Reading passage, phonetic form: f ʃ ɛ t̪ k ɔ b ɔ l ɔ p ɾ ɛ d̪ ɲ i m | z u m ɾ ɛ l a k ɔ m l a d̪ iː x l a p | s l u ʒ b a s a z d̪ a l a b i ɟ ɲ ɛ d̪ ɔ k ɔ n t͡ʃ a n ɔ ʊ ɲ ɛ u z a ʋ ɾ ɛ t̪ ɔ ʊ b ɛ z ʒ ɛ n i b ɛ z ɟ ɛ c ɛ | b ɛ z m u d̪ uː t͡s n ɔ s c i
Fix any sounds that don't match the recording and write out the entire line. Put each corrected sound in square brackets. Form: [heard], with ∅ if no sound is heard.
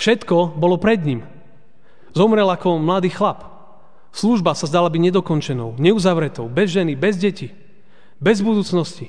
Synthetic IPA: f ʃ ɛ t̪ k ɔ b ɔ l ɔ p ɾ ɛ d̪ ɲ i m | z [ɔ] m ɾ ɛ l a k ɔ m l a d̪ iː x l a p | s l u ʒ b a s a z d̪ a l a b i ɟ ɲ ɛ d̪ ɔ k ɔ n t͡ʃ [ɛ] n ɔ ʊ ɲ ɛ u z a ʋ ɾ ɛ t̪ ɔ ʊ b ɛ z ʒ ɛ n i b ɛ z ɟ ɛ c [i] | b ɛ z [b] u d̪ uː t͡s n ɔ s c i